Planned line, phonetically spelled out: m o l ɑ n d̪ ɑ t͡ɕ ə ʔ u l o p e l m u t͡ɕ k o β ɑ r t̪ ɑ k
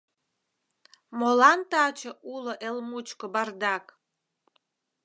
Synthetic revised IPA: m o l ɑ n t̪ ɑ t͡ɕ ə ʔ u l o ʔ e l m u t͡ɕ k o b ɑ r d̪ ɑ k